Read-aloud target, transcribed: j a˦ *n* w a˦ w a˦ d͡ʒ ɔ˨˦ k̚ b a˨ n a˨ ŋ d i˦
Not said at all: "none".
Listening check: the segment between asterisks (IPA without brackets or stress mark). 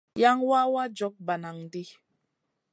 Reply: ŋ